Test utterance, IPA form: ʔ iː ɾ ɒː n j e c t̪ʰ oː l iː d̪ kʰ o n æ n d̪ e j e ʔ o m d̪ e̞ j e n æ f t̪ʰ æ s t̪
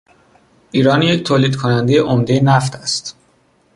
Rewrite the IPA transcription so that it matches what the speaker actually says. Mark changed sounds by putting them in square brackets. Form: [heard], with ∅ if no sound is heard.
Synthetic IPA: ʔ iː ɾ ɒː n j e c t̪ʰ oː l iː d̪ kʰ o n æ n d̪ e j e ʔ o m d̪ e̞ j e n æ f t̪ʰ æ s t̪